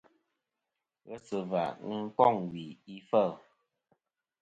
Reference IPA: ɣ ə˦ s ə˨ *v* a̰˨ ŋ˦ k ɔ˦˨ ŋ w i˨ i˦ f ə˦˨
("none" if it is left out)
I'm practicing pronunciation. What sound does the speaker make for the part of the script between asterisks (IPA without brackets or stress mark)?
v